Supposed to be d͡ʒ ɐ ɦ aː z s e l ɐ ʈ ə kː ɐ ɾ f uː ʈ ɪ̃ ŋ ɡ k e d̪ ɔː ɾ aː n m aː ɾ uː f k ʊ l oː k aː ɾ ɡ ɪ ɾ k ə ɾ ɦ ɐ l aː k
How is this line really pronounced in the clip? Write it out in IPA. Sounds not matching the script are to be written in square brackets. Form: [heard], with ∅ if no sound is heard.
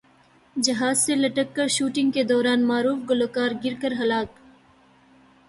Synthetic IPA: d͡ʒ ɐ ɦ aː z s e l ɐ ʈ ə kː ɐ ɾ [ʃ] uː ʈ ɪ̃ ŋ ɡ k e d̪ ɔː ɾ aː n m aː ɾ uː f [ɡ] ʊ l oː k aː ɾ ɡ ɪ ɾ k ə ɾ ɦ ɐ l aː k